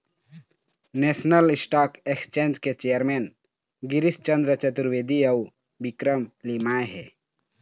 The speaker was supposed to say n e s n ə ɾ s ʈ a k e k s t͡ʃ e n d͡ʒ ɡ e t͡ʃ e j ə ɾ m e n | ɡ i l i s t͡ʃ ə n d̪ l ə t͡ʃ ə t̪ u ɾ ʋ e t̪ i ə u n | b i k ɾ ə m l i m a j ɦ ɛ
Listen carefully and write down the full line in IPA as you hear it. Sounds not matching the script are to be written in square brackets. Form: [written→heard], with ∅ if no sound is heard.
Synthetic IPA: n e s n ə [ɾ→l] s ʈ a k e k s t͡ʃ e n d͡ʒ [ɡ→k] e t͡ʃ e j ə ɾ m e n | ɡ i [l→ɾ] i s t͡ʃ ə n d̪ [l→ɾ] ə t͡ʃ ə t̪ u ɾ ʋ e [t̪→d̪] i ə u [n→∅] | b i k ɾ ə m l i m a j ɦ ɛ